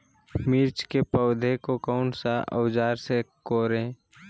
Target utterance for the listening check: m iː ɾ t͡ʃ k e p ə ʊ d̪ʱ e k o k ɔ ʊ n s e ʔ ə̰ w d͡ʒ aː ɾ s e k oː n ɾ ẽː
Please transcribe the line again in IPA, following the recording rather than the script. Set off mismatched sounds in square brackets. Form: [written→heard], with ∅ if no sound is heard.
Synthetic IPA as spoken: m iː ɾ t͡ʃ k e p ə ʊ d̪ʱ e k o k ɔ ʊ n s [e→a] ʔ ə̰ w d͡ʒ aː ɾ s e k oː [n→∅] ɾ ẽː